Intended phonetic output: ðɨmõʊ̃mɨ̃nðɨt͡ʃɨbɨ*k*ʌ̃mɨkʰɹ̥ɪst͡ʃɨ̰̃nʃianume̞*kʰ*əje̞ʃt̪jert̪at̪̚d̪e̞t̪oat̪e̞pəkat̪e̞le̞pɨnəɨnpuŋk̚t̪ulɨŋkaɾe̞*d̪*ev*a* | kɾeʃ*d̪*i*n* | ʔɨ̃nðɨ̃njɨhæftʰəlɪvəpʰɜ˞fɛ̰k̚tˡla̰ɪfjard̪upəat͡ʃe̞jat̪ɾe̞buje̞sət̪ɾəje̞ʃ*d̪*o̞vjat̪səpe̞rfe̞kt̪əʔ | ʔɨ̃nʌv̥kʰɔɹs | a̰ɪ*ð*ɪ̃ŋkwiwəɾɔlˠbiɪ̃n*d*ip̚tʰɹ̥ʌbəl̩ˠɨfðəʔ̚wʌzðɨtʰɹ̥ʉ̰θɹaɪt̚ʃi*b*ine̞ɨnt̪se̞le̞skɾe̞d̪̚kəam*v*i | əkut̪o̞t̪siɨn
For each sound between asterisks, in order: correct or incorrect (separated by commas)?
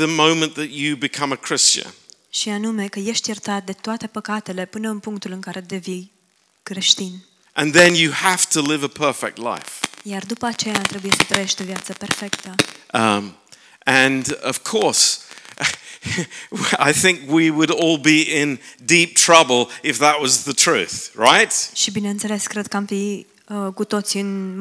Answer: incorrect, incorrect, correct, incorrect, incorrect, correct, incorrect, incorrect, correct, correct, incorrect